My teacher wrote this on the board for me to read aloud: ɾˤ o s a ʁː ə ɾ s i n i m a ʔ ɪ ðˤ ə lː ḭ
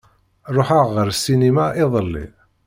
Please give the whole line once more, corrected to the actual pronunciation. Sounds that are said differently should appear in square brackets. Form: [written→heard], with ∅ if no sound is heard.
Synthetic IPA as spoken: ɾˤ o [s→ħ] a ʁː ə ɾ s i n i m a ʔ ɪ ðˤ ə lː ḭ